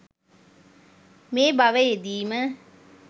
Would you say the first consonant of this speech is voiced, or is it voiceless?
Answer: voiced